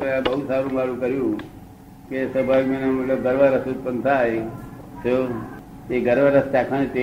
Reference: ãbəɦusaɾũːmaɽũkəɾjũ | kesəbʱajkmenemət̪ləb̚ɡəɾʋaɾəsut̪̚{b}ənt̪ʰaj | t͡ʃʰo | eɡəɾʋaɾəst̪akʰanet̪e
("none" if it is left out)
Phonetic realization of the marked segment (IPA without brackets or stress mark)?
p